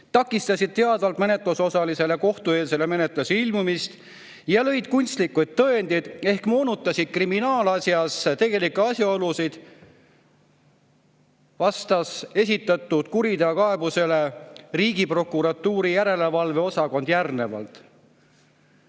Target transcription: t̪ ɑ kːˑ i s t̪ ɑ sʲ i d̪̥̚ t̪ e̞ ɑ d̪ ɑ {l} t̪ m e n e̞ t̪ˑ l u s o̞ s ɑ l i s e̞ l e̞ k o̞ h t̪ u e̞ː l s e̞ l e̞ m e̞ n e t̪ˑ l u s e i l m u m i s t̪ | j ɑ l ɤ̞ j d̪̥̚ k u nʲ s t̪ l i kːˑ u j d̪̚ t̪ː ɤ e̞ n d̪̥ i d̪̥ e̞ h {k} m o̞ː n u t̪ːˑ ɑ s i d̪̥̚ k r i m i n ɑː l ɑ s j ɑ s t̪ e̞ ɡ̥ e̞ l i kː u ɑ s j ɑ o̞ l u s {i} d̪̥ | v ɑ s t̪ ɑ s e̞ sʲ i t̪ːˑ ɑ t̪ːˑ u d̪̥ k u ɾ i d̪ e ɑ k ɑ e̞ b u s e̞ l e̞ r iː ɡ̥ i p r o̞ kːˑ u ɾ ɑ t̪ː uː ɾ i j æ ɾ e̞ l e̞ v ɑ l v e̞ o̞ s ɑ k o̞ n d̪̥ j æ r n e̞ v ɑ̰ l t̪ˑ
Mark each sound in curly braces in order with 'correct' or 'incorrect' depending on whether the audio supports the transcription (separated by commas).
correct, correct, correct